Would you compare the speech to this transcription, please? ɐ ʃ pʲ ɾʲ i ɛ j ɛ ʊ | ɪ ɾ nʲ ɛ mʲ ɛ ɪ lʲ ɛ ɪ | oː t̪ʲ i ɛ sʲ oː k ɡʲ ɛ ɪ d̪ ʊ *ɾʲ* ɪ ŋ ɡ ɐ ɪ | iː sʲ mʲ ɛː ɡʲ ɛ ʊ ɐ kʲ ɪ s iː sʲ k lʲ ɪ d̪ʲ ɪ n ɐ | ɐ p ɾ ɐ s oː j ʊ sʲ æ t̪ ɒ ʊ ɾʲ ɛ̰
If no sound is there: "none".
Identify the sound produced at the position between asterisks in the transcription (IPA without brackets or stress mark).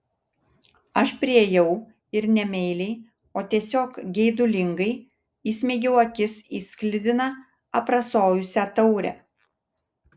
lʲ